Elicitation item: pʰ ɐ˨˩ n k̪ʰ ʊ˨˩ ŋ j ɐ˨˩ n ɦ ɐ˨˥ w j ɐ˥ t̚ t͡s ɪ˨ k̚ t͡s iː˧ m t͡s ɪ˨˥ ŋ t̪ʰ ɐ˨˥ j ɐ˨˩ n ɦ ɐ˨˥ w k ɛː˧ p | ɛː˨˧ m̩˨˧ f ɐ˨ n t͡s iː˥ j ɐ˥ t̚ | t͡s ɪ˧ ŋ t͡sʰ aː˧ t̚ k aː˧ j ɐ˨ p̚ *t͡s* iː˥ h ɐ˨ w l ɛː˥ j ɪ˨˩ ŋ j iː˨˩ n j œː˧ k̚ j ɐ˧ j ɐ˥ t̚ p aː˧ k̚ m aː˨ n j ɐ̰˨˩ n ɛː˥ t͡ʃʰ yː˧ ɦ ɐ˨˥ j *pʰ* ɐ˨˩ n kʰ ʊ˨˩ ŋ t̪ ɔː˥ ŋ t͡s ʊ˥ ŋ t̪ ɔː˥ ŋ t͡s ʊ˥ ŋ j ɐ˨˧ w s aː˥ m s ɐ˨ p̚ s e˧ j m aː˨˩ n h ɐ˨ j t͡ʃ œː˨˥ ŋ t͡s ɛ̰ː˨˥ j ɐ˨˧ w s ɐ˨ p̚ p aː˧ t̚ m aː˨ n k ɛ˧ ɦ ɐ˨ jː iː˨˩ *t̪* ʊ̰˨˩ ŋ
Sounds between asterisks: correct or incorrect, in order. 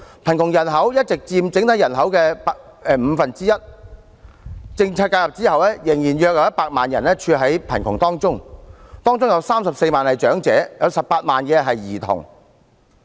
correct, correct, incorrect

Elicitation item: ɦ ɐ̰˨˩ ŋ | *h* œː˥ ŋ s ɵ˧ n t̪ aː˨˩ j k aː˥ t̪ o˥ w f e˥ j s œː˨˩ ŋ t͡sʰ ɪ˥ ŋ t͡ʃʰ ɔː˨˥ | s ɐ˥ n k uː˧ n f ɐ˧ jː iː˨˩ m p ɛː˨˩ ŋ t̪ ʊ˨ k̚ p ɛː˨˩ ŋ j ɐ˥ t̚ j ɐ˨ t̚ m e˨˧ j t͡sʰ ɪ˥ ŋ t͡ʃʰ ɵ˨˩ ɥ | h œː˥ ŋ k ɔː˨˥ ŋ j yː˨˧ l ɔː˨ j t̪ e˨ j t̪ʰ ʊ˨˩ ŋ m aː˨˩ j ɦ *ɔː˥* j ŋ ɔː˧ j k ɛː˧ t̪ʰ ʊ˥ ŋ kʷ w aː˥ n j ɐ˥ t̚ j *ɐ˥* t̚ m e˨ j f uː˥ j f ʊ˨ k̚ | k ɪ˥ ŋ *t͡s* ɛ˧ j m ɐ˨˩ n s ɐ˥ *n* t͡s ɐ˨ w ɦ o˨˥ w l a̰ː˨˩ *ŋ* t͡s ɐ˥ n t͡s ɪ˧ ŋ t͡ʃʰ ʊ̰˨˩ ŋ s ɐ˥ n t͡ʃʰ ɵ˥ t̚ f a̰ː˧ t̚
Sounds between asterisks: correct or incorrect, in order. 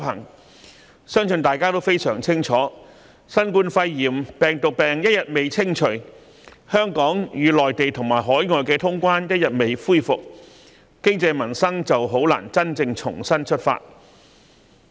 incorrect, incorrect, incorrect, correct, incorrect, incorrect

